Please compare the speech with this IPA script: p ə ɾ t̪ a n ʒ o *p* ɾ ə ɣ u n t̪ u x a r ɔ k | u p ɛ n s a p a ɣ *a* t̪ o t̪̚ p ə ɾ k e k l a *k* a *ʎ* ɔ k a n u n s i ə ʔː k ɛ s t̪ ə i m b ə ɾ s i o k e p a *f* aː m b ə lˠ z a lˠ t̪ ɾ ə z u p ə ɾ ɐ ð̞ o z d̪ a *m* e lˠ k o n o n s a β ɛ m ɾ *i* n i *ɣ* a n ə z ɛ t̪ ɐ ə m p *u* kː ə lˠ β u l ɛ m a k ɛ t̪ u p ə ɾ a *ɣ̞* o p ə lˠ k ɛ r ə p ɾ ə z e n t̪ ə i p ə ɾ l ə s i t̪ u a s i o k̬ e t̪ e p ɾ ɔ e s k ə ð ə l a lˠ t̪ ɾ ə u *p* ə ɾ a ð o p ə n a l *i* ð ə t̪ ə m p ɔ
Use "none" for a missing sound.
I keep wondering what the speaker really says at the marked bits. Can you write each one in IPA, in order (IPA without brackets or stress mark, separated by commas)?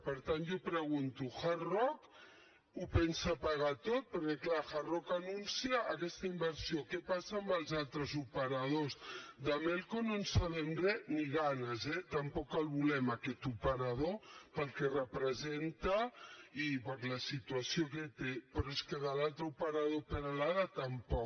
p, a, x, r, s, m, ɛ, ɣ, ɔ, ð̞, p, a